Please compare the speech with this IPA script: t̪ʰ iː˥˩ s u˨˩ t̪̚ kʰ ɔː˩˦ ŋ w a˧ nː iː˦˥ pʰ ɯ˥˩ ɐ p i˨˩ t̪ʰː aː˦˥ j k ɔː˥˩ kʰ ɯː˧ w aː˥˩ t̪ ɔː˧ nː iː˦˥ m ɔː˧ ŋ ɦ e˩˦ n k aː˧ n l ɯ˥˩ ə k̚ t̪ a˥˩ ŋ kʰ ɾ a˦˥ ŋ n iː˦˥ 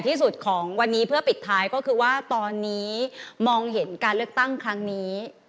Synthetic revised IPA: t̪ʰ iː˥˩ s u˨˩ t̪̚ kʰ ɔː˩˦ ŋ w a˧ nː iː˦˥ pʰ ɯ˥˩ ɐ p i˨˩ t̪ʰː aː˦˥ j k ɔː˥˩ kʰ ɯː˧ w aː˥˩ t̪ ɔː˧ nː iː˦˥ m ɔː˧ ŋ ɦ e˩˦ n k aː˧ n l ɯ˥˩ ə k̚ t̪ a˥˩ ŋ kʰ ɾ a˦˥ ŋ n iː˦˥